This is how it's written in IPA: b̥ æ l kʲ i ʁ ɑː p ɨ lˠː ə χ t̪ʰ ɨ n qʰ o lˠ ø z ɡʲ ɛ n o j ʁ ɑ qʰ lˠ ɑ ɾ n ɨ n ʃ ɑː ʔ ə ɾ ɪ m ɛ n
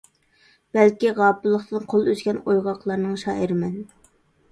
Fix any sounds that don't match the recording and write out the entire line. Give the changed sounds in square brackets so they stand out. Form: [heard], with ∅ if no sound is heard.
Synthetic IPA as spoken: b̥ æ l kʲ i ʁ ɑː p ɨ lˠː ə χ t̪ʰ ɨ n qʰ o lˠ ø z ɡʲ ɛ n o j ʁ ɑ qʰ lˠ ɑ ɾ n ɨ [ŋ] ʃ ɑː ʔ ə ɾ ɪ m ɛ n